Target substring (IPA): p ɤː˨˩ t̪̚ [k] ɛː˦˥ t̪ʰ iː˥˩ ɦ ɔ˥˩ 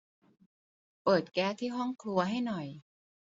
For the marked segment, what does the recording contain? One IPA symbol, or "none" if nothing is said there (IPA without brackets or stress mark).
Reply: k